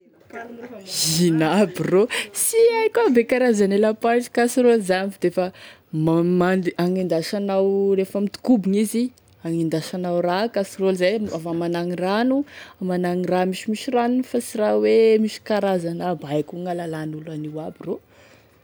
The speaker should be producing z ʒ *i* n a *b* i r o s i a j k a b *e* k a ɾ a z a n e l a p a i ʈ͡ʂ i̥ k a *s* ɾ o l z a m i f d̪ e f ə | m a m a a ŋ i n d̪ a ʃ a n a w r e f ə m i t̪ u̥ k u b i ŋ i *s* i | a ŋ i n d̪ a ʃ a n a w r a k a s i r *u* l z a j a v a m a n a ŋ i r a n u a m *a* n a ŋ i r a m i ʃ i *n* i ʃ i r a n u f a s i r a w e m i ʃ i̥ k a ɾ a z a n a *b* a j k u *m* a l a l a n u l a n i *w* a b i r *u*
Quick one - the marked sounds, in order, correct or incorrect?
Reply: correct, correct, correct, correct, incorrect, incorrect, correct, incorrect, correct, incorrect, correct, incorrect

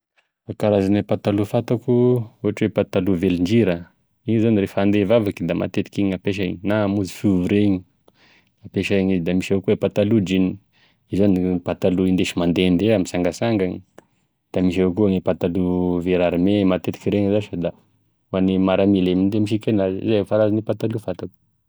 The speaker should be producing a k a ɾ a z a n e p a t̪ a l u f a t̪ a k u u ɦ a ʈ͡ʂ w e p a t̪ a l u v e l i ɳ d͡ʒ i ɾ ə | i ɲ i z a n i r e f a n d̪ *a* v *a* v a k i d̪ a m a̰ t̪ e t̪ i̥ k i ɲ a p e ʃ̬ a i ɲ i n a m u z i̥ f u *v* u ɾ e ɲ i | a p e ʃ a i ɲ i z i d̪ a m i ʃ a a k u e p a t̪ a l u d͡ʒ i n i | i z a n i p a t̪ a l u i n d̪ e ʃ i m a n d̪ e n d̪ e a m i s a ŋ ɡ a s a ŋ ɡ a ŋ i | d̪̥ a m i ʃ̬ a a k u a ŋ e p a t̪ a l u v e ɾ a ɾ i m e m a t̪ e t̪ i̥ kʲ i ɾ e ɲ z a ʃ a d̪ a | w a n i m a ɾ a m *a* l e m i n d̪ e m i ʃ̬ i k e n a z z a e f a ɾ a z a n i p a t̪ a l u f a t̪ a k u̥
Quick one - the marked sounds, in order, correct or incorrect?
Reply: incorrect, correct, correct, incorrect

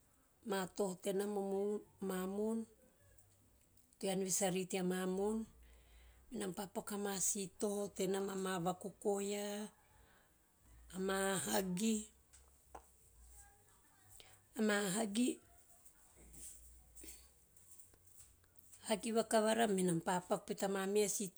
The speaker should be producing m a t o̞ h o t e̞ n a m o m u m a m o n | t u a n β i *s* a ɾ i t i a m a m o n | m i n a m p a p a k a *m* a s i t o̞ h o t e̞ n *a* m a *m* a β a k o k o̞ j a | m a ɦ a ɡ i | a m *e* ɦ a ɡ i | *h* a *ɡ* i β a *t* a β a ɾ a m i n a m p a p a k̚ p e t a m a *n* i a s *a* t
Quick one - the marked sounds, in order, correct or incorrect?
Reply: correct, correct, correct, correct, incorrect, correct, correct, incorrect, incorrect, incorrect

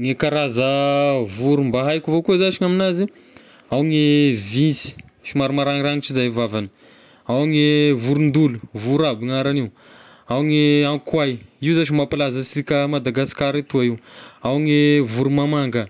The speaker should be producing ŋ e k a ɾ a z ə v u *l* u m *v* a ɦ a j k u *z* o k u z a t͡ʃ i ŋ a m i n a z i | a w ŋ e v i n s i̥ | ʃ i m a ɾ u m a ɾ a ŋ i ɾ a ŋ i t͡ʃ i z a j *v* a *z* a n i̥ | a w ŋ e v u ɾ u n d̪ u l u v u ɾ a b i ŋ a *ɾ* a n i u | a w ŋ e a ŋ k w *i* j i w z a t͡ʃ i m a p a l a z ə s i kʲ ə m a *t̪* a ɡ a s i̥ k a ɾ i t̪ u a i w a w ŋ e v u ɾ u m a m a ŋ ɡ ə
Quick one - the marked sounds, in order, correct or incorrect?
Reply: incorrect, incorrect, incorrect, correct, incorrect, correct, incorrect, incorrect

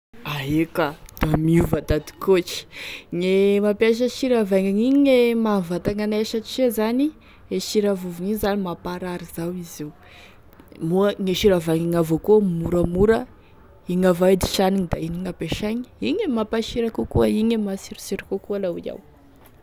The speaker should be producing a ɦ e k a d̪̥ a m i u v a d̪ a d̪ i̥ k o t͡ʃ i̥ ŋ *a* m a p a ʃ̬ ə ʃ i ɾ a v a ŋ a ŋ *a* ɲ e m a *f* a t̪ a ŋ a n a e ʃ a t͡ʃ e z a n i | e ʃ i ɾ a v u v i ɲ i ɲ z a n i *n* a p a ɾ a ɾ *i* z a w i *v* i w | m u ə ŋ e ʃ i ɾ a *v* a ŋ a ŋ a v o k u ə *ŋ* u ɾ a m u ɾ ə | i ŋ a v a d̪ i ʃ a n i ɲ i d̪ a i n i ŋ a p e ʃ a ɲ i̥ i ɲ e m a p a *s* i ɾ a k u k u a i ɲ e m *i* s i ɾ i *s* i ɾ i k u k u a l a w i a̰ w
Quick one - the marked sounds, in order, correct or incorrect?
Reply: incorrect, incorrect, incorrect, incorrect, correct, incorrect, correct, incorrect, incorrect, incorrect, correct

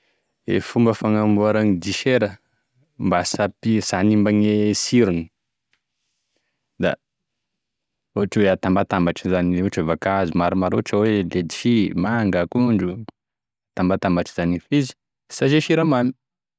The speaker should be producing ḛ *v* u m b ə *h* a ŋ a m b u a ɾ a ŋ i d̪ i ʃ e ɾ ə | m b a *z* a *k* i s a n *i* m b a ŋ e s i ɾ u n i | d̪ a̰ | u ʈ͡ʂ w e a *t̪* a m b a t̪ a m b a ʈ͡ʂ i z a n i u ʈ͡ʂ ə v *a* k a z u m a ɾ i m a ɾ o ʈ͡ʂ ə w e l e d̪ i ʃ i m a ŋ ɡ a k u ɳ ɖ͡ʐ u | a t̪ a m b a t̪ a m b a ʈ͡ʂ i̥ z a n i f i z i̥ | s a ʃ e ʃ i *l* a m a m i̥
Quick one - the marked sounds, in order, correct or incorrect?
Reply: incorrect, incorrect, incorrect, incorrect, correct, correct, correct, incorrect

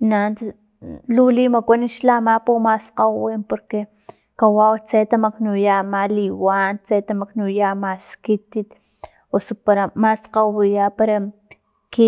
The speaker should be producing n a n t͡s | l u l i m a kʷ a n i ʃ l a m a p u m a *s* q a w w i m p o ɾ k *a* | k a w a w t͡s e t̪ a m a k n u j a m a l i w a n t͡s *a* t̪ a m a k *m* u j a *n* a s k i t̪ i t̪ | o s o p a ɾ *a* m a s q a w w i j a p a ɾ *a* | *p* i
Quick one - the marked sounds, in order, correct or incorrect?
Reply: correct, incorrect, incorrect, incorrect, incorrect, correct, correct, incorrect

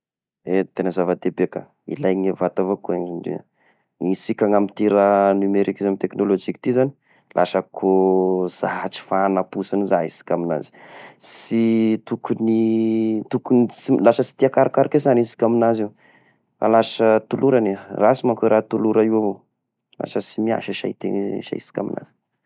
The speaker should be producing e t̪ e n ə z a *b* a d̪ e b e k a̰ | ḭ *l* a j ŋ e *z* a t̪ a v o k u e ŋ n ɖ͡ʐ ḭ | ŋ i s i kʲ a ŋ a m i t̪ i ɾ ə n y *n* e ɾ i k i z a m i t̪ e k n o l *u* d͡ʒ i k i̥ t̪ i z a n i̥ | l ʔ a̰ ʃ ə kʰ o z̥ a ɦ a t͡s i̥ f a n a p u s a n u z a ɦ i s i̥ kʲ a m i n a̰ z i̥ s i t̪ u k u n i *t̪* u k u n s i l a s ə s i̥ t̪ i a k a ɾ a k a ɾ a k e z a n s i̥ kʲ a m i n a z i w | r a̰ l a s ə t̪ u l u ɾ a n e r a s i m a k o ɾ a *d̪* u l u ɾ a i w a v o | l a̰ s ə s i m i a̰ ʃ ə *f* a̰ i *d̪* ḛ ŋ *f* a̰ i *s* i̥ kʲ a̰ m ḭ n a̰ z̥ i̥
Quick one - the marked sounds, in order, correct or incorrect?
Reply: incorrect, correct, incorrect, incorrect, incorrect, correct, incorrect, incorrect, incorrect, incorrect, correct

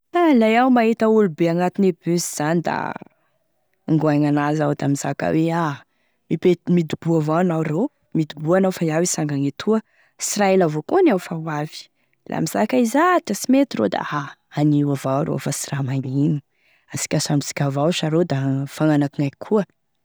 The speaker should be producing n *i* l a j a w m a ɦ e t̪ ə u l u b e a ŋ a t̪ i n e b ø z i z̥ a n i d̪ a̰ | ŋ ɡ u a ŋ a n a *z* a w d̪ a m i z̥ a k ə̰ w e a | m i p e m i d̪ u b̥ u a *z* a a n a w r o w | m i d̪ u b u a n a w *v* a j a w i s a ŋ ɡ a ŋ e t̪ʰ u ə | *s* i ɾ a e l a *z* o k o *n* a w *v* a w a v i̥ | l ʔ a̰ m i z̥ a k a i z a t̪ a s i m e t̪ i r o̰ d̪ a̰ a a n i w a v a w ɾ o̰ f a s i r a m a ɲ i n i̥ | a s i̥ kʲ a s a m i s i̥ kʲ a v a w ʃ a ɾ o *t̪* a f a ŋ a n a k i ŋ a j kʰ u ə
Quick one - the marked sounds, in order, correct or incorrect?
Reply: incorrect, correct, incorrect, incorrect, correct, incorrect, correct, incorrect, incorrect

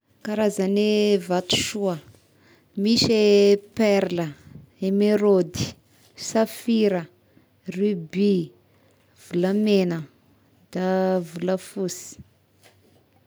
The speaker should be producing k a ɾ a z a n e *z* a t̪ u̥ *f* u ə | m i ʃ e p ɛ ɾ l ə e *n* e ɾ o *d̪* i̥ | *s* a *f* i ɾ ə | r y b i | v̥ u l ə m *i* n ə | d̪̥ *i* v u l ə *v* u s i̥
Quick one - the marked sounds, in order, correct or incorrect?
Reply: incorrect, incorrect, incorrect, correct, correct, correct, incorrect, incorrect, incorrect

